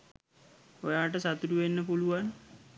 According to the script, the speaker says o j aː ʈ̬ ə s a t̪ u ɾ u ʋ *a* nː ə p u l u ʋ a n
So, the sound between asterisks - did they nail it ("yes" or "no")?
no